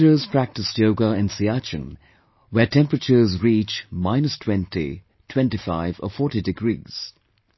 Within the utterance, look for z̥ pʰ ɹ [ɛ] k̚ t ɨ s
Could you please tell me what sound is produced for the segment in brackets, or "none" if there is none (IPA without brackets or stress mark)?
æ